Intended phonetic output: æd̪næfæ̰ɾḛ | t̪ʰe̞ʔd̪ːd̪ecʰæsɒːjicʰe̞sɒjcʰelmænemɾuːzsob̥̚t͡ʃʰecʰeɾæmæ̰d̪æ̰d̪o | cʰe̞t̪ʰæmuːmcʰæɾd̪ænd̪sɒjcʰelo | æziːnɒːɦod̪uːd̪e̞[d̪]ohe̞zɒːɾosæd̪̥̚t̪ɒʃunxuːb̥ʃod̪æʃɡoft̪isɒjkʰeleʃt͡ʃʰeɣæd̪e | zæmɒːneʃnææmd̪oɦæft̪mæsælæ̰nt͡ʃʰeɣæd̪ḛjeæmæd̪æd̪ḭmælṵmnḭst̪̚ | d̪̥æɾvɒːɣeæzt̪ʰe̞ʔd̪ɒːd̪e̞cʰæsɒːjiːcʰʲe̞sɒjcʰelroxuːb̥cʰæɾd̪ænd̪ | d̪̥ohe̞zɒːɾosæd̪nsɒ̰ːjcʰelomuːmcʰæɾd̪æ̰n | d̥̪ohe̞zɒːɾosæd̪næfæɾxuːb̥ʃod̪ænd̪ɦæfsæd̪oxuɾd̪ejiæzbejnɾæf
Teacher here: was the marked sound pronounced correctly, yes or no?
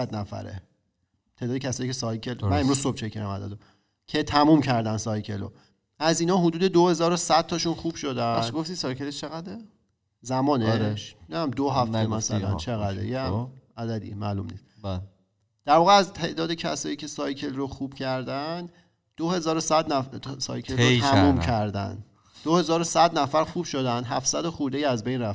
yes